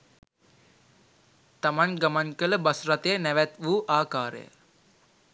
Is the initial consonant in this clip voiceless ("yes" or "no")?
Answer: yes